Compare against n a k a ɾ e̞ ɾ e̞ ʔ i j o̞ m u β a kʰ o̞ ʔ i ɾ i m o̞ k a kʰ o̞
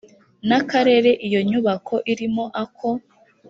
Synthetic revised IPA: n a k a ɾ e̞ ɾ e̞ ʔ i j o̞ ɲ u β a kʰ o̞ ʔ i ɾ i m o̞ ʔ a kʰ o̞